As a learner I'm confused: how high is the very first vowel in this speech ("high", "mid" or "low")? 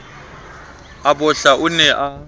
low